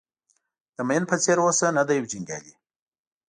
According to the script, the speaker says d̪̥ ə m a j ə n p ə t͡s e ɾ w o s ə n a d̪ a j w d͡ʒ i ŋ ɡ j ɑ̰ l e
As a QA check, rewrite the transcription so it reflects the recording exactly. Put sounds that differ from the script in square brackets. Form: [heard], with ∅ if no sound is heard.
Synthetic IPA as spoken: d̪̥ ə m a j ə n p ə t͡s e ɾ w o s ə n a d̪ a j w d͡ʒ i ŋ ɡ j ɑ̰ l [i]